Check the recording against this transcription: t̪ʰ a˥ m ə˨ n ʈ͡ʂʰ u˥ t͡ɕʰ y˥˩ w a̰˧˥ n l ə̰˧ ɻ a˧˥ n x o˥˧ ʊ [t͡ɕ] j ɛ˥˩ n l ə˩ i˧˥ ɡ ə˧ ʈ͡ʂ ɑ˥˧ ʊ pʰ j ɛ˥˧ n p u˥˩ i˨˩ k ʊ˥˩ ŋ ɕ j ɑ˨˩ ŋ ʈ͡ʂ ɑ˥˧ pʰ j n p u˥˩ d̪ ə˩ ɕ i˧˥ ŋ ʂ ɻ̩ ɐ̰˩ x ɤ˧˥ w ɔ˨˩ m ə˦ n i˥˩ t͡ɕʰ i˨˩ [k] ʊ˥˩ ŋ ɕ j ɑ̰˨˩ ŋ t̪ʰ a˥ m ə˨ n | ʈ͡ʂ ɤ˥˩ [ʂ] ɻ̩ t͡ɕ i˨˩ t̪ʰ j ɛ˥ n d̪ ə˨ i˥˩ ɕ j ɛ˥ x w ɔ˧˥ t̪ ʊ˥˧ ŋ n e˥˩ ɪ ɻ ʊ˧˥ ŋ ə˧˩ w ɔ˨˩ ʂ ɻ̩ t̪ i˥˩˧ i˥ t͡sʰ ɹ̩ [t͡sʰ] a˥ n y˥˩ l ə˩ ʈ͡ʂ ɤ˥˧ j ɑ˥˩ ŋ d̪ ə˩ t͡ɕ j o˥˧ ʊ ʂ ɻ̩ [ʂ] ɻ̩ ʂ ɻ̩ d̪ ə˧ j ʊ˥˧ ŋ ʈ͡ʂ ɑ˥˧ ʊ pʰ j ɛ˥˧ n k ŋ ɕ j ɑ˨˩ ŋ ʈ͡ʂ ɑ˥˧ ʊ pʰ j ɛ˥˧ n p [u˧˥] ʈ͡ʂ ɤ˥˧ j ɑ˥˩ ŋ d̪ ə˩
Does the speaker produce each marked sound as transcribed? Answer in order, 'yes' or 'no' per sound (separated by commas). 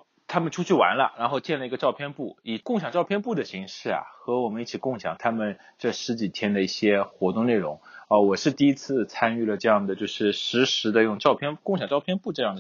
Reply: yes, yes, yes, yes, yes, no